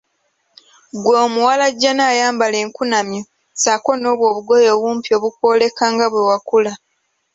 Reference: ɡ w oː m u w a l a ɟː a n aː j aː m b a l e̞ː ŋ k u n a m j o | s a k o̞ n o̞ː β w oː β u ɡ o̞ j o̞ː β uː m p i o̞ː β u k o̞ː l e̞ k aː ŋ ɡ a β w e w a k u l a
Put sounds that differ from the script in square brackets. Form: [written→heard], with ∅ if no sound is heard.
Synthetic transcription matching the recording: ɡ w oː m u w a l a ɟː a n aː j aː m b a l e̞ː ŋ k u n a m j o | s a k o̞ n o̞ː β w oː β u ɡ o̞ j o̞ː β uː m p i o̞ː β u k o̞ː l e̞ k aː ŋ ɡ a β w e w a k u l a